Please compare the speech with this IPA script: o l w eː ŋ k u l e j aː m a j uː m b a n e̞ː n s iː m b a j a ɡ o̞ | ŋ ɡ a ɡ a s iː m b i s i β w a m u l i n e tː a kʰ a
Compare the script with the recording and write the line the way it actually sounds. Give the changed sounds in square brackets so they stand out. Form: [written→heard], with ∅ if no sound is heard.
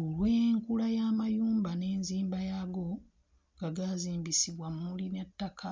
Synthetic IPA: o l w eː ŋ k u l [e→a] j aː m a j uː m b a n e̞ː n [s→z] iː m b a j a ɡ o̞ | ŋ ɡ a ɡ a [s→z] iː m b i s i β w a m u l i n e tː a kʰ a